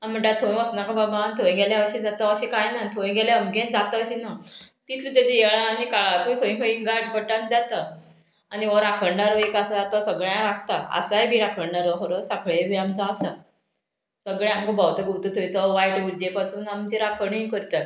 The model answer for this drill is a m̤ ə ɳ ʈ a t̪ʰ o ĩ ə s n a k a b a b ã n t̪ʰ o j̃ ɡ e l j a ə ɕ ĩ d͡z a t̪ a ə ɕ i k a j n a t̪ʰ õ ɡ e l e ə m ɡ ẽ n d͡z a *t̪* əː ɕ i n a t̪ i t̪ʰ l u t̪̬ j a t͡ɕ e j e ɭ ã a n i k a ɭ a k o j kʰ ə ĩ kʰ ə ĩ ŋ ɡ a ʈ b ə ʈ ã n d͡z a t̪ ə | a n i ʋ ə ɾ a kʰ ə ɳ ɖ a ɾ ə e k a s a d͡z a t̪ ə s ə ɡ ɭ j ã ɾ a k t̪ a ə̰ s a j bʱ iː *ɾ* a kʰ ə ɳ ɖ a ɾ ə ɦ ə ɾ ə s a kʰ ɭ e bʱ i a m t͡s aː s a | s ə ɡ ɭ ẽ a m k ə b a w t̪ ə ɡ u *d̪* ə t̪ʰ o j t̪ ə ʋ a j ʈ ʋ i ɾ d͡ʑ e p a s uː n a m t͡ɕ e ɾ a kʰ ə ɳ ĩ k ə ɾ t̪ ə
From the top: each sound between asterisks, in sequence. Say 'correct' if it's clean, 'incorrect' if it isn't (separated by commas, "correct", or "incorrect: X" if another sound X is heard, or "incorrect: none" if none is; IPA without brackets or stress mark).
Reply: correct, correct, incorrect: t̪